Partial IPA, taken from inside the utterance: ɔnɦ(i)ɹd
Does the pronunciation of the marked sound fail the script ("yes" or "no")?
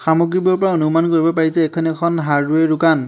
yes